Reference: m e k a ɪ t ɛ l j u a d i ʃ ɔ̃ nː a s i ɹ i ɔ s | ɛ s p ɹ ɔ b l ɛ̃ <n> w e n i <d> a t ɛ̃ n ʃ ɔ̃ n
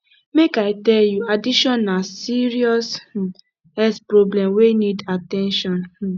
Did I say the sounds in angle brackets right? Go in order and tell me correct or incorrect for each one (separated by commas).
incorrect, correct